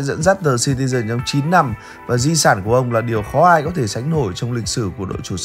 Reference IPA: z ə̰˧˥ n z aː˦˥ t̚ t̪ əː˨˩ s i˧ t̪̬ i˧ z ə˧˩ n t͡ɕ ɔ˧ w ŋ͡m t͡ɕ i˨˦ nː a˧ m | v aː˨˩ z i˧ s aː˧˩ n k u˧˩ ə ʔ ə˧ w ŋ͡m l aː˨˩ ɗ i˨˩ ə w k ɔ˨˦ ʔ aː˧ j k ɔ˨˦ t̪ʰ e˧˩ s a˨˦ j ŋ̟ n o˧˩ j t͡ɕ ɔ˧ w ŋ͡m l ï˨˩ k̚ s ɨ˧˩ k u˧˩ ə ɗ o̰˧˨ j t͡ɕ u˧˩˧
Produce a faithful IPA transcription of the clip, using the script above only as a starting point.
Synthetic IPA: z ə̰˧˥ n z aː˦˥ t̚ t̪ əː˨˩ s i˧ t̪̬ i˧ z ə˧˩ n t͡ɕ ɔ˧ w ŋ͡m t͡ɕ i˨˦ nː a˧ m | v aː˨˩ z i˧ s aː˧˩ n k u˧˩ ə ʔ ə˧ w ŋ͡m l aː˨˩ ɗ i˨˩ ə w x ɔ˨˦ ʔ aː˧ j k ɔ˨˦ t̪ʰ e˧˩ s a˨˦ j ŋ̟ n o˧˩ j t͡ɕ ɔ˧ w ŋ͡m l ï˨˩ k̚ s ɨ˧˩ k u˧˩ ə ɗ o̰˧˨ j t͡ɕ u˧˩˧